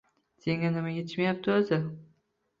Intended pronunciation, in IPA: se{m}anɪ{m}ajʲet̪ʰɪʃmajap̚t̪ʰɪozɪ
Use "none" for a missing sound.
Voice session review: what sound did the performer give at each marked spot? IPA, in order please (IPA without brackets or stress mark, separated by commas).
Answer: ŋ, m